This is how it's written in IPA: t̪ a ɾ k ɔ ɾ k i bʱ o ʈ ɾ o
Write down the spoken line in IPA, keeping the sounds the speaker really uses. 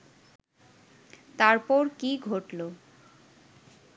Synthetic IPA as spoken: t̪ a ɾ p ɔ ɾ k i ɡʱ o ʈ l o